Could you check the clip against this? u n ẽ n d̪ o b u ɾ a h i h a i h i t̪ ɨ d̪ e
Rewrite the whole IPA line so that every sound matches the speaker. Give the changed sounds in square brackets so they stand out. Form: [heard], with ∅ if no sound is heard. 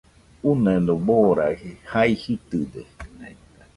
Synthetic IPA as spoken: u n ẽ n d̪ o b [o] ɾ a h i h a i h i t̪ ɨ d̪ e